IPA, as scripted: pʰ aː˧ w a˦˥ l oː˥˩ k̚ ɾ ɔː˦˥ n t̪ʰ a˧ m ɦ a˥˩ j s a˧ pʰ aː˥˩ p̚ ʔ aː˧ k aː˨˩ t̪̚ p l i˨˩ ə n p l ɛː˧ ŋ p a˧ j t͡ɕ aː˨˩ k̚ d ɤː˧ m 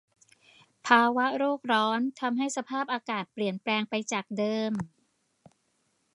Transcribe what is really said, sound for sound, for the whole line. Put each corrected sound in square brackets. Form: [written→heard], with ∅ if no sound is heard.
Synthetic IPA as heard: pʰ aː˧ w a˦˥ [l→ɾ] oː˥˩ k̚ ɾ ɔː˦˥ n t̪ʰ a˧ m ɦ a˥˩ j s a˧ pʰ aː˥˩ p̚ ʔ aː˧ k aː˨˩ t̪̚ p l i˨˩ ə n p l ɛː˧ ŋ p a˧ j t͡ɕ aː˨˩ k̚ d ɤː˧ m